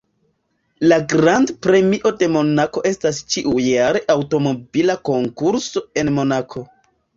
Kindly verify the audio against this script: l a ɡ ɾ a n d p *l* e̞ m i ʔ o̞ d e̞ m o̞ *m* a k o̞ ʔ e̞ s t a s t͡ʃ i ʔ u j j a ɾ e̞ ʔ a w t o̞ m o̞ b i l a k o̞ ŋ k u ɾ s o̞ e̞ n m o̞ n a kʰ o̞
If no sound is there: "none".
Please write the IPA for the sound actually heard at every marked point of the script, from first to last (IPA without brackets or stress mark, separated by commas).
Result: ɾ, n